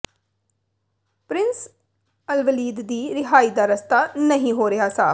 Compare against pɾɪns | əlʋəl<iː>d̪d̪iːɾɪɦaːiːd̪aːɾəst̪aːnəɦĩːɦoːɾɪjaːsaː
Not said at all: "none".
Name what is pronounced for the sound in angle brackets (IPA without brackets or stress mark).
iː